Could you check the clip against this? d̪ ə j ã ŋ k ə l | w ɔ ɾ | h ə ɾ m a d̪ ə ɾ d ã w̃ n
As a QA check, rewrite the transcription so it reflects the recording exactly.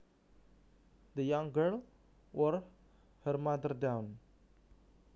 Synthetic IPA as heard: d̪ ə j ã ŋ ɡ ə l | w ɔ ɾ | h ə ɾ m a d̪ ə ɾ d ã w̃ n